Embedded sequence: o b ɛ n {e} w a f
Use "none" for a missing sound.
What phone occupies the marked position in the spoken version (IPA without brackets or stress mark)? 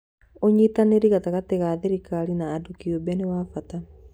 e